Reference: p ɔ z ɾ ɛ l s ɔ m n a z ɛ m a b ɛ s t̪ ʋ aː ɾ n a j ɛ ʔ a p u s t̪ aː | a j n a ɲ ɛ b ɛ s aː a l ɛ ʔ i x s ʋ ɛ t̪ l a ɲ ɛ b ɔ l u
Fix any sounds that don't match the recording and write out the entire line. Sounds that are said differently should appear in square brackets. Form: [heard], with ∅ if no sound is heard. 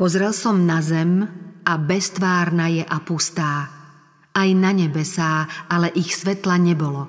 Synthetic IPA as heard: p ɔ z ɾ ɛ l s ɔ m n a z ɛ m a b ɛ s t̪ ʋ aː ɾ n a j ɛ ʔ a p u s t̪ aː | a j n a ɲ ɛ b ɛ s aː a l ɛ ʔ i x s ʋ ɛ t̪ l a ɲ ɛ b ɔ l [ɔ]